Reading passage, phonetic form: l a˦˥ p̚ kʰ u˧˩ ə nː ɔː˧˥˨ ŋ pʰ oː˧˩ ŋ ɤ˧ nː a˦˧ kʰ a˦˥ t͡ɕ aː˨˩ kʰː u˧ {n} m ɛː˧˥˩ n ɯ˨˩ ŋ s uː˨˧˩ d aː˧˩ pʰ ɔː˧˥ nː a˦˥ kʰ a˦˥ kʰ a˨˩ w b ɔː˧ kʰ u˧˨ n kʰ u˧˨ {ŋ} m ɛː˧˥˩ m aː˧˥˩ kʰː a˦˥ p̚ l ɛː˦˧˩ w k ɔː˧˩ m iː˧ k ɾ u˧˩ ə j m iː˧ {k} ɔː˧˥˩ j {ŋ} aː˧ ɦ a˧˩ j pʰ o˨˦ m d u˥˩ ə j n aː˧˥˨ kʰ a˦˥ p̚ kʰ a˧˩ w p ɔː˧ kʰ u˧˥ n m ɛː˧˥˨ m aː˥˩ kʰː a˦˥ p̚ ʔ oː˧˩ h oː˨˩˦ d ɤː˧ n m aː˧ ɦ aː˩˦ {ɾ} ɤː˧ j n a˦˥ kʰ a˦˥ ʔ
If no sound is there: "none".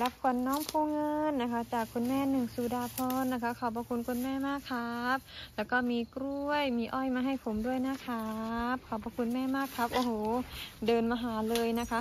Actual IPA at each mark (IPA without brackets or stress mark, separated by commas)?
n, n, ʔ, m, l